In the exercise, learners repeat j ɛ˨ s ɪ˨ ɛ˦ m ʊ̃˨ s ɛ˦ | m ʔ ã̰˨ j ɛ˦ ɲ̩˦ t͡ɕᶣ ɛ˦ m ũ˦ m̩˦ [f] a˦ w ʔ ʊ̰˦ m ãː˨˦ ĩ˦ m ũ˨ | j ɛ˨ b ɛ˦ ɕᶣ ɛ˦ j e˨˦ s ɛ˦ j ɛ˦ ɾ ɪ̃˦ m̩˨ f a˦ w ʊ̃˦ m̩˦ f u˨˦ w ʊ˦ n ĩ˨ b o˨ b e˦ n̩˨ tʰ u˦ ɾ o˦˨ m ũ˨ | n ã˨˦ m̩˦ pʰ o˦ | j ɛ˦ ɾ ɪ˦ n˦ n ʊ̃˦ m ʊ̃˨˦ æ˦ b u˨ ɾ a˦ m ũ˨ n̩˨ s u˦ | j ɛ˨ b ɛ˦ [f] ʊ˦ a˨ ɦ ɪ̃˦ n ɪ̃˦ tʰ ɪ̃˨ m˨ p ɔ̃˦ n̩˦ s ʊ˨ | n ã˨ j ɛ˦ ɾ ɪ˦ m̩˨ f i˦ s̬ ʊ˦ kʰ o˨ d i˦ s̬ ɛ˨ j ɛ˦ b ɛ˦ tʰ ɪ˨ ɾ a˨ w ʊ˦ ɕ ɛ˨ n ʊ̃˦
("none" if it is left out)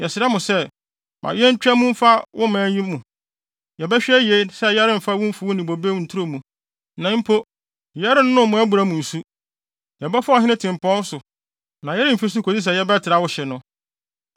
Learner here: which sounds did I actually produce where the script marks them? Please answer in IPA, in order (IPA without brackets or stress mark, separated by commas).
f, f